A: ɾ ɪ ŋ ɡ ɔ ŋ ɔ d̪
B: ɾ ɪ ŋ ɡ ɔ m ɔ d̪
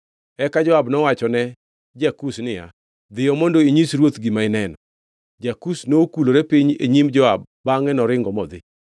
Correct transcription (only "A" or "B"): B